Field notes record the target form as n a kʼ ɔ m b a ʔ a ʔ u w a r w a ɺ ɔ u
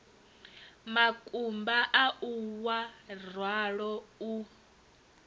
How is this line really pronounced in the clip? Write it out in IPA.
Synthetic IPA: m a kʼ u m b a ʔ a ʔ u w a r w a ɺ ɔ u

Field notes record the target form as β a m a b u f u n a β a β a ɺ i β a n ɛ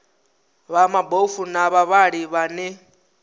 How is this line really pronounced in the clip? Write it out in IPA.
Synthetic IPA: β a m a b o f u n a β a β a ɺ i β a n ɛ

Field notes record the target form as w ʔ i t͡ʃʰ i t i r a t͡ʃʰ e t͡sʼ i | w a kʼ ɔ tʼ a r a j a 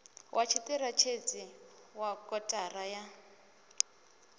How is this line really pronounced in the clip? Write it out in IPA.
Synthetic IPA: w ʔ a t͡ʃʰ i t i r a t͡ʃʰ e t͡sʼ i | w a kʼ ɔ tʼ a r a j a

